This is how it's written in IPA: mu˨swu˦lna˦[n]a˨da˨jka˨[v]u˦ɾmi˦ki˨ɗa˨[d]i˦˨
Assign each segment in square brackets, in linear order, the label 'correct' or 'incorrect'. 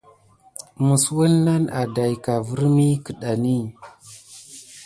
correct, correct, incorrect: n

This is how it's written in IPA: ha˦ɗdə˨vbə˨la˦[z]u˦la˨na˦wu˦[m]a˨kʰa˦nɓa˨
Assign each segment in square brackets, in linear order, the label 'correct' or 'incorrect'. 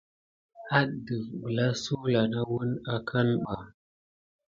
incorrect: s, incorrect: n

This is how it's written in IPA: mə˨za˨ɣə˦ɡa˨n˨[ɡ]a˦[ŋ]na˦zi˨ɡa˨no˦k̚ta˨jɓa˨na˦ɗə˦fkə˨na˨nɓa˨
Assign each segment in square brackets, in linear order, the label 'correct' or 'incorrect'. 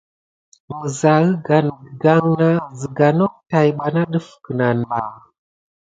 correct, correct

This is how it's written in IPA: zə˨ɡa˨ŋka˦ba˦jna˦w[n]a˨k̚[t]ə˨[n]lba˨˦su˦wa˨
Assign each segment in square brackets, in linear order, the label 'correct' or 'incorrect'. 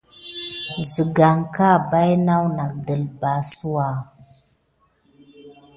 correct, incorrect: d, incorrect: none

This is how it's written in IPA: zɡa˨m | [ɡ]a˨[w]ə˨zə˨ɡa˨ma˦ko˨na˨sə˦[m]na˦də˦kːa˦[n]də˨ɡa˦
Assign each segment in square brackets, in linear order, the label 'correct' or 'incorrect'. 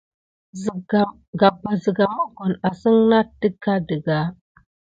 correct, incorrect: b, incorrect: ŋ, incorrect: none

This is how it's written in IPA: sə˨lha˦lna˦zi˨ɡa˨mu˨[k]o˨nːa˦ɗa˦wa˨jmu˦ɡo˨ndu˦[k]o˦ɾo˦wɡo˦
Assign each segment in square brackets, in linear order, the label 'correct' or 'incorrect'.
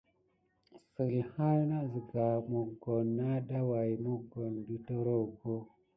incorrect: ɡ, incorrect: t

